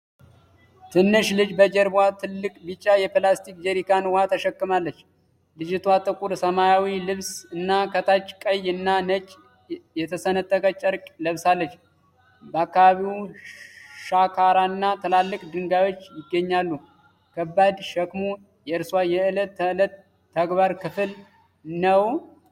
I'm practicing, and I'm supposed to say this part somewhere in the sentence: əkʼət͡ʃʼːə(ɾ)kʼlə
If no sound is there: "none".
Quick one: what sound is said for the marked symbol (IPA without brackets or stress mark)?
ɾ